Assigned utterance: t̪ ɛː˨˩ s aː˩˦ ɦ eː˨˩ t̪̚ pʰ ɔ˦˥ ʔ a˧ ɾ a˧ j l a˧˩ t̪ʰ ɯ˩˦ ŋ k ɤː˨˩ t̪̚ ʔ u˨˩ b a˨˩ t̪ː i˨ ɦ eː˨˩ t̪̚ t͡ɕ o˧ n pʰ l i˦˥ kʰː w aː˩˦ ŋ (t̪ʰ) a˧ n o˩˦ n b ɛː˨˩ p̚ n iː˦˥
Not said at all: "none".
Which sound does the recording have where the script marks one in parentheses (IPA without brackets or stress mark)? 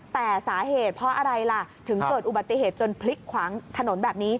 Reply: t̪ʰ